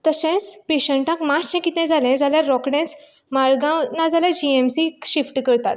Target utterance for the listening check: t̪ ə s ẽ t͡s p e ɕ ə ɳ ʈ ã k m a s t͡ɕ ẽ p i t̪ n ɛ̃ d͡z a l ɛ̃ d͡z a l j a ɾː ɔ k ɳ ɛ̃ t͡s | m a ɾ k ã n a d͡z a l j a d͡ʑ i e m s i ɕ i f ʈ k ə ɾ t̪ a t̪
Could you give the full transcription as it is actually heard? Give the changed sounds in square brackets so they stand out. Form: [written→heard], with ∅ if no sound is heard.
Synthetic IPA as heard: t̪ ə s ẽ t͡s p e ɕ ə ɳ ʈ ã k m a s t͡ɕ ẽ [p→k] i t̪ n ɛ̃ d͡z a l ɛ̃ d͡z a l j a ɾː ɔ k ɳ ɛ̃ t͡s | m a ɾ [k→ɡ] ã n a d͡z a l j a d͡ʑ i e m s i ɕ i f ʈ k ə ɾ t̪ a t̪